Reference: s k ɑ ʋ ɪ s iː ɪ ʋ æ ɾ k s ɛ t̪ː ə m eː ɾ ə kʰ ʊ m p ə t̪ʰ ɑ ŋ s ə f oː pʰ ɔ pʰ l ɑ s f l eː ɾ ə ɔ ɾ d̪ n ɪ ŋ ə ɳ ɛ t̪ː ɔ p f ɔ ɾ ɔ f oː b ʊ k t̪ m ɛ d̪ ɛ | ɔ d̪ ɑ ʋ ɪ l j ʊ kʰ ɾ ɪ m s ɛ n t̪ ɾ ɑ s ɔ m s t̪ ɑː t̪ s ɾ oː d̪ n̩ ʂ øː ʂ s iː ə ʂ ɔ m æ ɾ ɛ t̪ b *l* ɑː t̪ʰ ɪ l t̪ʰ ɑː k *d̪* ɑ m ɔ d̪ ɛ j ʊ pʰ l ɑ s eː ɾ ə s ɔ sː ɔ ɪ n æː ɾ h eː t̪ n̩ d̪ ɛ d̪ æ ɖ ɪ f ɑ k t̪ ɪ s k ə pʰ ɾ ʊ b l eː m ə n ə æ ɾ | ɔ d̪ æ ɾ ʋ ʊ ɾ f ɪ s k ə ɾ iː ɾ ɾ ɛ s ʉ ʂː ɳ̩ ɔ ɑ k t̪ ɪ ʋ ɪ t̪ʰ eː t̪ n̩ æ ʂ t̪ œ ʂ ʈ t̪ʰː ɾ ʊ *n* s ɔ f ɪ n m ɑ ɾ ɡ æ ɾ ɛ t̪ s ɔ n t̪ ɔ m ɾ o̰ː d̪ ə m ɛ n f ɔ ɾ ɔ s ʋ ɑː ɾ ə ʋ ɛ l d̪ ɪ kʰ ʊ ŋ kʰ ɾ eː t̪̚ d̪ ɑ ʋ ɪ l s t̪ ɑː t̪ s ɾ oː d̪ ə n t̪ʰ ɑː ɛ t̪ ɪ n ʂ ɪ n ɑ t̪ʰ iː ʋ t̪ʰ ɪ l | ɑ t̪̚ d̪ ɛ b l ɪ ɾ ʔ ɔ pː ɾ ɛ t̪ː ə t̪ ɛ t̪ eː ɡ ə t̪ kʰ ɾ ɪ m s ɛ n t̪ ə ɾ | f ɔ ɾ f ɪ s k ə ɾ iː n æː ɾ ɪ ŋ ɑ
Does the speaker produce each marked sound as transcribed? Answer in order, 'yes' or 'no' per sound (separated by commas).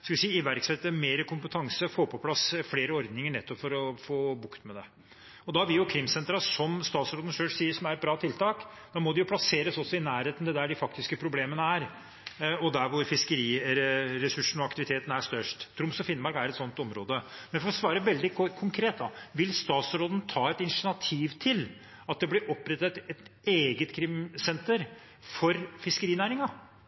no, yes, no